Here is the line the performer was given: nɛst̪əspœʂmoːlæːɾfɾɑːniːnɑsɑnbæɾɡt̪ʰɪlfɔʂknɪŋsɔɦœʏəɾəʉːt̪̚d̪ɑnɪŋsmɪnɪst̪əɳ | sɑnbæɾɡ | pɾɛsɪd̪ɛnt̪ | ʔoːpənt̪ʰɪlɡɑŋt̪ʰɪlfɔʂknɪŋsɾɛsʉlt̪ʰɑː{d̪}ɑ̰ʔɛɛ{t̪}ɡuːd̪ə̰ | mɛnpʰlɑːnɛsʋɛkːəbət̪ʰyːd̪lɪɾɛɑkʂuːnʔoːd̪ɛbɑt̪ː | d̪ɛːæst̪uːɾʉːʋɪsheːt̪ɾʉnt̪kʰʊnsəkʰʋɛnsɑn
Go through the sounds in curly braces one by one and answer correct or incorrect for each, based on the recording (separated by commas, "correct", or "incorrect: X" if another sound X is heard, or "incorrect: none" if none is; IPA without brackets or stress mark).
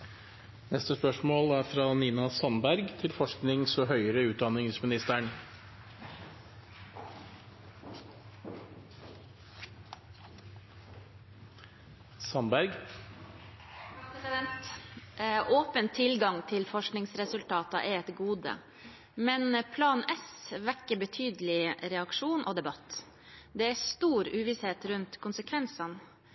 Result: incorrect: t̪, correct